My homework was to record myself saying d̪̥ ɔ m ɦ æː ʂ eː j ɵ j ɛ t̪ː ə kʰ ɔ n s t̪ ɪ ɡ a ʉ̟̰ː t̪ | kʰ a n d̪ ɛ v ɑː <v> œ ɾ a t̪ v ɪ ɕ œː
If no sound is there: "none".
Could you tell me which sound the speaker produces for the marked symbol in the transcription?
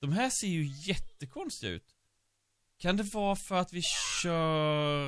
f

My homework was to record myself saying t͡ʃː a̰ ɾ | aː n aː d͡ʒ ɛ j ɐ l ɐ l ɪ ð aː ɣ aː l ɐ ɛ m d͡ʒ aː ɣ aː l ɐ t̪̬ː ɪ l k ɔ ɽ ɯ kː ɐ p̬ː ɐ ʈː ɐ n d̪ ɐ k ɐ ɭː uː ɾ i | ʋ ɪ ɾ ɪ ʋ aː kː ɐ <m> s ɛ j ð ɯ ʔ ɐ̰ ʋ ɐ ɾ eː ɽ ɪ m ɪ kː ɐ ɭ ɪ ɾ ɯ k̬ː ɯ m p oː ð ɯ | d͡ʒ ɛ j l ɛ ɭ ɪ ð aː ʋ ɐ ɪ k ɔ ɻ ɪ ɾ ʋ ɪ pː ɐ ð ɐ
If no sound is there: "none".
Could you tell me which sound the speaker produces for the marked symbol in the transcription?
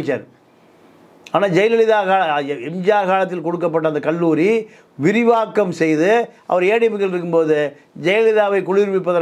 m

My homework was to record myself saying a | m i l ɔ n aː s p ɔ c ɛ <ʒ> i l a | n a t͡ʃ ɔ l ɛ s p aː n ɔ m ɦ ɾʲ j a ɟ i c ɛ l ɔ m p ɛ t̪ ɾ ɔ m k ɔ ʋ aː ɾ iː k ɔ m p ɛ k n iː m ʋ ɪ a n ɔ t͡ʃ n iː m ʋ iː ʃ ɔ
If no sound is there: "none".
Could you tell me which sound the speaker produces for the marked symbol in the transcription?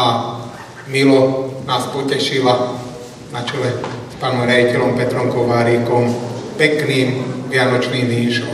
ʃ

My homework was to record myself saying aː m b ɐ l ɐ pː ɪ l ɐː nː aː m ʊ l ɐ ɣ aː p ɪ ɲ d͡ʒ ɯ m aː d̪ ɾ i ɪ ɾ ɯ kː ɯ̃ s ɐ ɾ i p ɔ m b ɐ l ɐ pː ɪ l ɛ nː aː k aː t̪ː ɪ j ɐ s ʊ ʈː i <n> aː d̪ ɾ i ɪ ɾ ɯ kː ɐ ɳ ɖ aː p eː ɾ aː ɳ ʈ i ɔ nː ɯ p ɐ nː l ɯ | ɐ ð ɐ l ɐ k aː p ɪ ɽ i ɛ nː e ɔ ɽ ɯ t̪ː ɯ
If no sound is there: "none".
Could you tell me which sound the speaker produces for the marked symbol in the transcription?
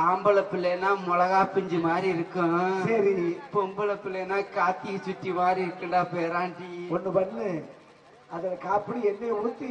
m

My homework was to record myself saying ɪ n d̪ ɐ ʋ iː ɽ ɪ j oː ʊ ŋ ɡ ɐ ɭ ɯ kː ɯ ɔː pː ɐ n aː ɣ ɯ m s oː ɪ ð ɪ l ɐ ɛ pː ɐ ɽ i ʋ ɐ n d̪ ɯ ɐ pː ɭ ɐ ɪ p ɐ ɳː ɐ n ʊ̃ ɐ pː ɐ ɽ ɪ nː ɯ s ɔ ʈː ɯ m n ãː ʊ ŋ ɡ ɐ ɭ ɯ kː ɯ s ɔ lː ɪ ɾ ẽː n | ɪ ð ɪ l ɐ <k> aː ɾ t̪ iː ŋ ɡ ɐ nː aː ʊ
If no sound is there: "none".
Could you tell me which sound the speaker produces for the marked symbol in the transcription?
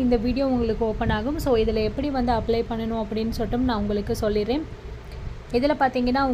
p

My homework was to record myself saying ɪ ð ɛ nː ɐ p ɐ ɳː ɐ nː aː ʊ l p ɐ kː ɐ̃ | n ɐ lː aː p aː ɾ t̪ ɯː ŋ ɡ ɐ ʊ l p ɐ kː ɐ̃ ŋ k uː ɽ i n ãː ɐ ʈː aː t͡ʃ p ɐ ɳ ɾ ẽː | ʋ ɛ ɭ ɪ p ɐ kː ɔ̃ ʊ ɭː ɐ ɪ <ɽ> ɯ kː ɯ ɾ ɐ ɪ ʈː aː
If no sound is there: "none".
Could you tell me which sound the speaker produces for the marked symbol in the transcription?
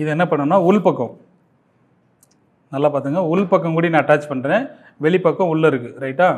ɾ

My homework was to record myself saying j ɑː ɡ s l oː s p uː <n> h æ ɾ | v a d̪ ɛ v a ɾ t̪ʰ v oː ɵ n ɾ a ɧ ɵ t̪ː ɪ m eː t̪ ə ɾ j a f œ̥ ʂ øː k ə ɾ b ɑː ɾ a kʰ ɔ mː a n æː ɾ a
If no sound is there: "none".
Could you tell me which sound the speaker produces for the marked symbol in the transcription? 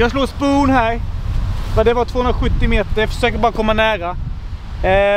n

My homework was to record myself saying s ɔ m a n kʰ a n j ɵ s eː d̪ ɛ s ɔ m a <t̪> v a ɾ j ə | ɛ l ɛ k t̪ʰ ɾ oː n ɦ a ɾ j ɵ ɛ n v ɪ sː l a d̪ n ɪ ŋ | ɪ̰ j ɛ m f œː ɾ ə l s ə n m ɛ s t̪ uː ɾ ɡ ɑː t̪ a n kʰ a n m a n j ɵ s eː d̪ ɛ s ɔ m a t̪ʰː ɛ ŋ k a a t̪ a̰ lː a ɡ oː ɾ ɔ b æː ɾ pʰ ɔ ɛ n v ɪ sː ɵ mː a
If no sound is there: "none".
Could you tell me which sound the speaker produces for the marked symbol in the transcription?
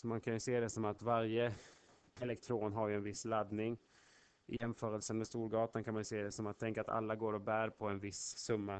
t̪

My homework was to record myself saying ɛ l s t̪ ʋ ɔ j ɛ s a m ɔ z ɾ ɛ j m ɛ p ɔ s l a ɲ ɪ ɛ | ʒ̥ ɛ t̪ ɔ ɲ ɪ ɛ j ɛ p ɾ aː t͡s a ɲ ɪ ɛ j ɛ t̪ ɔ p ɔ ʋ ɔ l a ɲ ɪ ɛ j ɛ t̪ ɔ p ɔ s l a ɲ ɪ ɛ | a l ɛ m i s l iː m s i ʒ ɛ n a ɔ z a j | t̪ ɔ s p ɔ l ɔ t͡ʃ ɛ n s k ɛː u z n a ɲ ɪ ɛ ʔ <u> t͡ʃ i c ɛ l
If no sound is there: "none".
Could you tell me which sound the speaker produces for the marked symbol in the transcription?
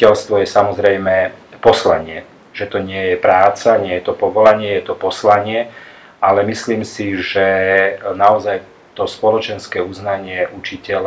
u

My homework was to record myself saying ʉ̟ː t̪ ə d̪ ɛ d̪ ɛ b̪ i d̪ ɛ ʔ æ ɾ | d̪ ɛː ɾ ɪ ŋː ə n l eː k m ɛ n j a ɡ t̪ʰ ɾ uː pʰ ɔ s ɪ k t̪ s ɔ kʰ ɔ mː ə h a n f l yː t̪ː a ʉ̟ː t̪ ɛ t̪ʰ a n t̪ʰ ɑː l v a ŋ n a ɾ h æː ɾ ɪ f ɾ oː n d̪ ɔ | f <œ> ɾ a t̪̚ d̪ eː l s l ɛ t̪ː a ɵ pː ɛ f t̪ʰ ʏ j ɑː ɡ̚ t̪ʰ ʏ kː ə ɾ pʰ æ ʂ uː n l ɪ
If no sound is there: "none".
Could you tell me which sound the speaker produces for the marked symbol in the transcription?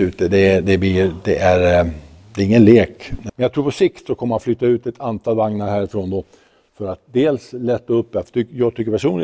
œ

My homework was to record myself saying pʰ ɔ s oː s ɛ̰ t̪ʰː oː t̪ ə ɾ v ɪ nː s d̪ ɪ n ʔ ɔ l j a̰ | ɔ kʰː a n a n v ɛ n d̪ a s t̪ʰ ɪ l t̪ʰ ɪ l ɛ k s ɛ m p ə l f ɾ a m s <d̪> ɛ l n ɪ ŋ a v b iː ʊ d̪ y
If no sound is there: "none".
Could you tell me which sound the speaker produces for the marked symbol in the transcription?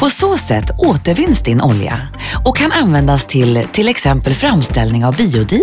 t̪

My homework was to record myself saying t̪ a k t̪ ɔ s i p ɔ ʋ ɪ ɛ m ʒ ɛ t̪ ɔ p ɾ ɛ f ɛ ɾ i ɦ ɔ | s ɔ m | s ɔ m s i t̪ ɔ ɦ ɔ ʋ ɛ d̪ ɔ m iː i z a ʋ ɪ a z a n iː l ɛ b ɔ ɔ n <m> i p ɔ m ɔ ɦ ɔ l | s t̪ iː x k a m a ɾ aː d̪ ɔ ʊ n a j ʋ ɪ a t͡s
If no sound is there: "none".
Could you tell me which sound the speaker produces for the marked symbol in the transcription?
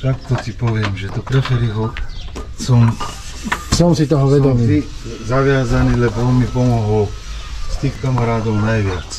m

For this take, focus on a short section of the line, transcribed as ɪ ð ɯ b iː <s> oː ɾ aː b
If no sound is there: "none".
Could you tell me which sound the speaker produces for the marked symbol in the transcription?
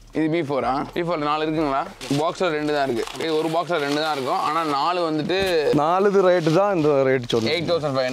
f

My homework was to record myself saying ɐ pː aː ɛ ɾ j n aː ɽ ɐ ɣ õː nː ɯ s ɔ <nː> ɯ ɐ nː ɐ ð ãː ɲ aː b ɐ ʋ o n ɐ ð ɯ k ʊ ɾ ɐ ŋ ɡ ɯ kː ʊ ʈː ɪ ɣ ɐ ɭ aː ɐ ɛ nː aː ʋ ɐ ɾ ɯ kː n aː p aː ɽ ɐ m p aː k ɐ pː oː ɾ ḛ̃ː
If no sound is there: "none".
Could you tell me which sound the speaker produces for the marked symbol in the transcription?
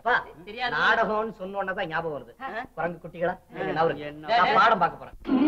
nː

